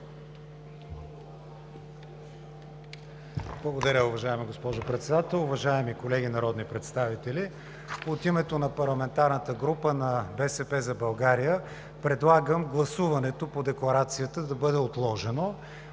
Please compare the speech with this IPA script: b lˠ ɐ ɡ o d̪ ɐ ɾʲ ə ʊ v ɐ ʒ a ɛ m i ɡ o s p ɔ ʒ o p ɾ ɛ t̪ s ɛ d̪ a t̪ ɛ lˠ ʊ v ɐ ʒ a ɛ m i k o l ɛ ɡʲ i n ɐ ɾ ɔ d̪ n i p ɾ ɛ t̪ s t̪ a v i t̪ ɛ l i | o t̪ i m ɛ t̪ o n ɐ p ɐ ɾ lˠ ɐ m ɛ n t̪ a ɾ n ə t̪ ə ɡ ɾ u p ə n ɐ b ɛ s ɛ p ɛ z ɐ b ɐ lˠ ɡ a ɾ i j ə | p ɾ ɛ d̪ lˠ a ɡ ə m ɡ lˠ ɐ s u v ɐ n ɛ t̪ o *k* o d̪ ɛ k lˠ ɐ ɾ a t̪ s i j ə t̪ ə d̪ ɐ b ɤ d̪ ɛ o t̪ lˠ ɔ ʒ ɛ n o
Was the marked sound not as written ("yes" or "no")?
yes